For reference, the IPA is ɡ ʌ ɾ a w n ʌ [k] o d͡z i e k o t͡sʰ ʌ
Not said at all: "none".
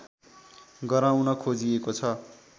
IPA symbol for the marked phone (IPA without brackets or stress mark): kʰ